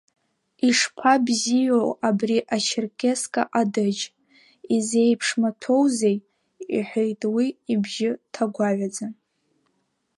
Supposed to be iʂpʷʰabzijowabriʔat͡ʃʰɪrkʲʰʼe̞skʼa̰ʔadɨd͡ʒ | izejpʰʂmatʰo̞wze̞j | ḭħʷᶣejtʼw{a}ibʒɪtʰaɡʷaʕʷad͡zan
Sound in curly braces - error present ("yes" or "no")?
yes